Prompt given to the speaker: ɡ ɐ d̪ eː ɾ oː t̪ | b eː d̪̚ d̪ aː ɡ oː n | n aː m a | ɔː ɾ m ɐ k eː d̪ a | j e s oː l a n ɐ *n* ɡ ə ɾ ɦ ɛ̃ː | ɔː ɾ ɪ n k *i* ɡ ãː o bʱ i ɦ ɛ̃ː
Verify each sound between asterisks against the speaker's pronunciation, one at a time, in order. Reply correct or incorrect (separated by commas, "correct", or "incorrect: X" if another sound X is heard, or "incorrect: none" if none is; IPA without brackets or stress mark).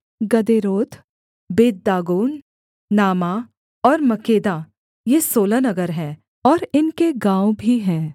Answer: incorrect: none, incorrect: e